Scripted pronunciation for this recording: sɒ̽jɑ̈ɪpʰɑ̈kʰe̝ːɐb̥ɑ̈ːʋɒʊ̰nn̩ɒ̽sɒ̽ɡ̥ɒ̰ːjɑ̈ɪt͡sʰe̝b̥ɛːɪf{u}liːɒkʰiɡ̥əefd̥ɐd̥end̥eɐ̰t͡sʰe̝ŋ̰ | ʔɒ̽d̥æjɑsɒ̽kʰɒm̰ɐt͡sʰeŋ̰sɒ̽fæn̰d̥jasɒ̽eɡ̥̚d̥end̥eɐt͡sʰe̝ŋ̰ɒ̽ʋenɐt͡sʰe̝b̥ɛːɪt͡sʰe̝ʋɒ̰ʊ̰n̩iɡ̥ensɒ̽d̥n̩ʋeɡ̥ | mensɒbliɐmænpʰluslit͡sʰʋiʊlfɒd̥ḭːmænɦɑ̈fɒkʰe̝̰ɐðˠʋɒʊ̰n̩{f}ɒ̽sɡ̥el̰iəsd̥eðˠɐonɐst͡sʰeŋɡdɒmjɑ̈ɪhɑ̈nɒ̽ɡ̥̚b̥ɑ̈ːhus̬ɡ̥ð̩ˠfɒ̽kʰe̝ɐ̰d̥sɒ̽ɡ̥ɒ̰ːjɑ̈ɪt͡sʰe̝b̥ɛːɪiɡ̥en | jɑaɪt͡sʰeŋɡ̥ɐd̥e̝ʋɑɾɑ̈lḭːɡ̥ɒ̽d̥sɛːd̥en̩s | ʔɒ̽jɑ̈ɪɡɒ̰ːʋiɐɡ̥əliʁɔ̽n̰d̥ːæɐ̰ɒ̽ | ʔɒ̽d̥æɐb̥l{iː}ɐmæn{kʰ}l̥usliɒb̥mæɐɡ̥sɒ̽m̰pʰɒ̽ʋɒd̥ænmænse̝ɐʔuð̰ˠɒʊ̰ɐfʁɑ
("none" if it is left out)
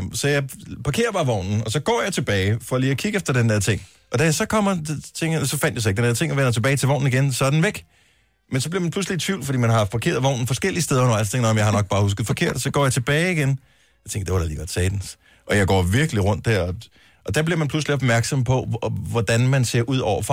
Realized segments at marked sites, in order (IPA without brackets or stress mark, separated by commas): ɒ, f, i, pʰ